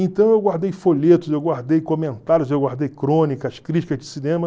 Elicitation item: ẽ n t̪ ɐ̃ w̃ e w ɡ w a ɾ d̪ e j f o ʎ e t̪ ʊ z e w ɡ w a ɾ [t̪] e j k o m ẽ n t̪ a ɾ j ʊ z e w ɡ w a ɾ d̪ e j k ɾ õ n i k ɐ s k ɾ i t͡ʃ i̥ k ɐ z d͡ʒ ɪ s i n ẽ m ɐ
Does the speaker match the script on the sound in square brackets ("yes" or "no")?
no